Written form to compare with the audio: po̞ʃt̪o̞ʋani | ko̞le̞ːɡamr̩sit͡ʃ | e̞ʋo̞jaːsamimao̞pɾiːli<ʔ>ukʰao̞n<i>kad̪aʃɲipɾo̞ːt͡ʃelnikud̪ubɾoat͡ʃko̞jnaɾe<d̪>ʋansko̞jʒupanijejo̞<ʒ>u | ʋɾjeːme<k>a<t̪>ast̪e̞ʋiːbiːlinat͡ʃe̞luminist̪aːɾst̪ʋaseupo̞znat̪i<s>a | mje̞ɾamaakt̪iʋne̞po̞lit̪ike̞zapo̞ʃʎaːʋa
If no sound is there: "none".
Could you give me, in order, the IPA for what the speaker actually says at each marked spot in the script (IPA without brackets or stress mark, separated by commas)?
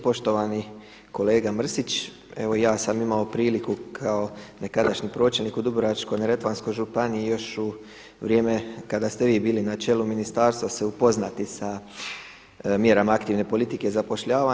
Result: k, e, t̪, ʃ, k, d̪, s